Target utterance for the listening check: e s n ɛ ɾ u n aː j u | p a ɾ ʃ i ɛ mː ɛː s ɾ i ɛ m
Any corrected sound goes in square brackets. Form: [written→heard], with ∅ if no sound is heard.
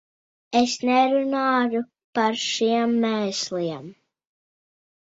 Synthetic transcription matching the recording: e s n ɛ ɾ u n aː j u | p a ɾ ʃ i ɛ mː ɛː s [ɾ→l] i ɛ m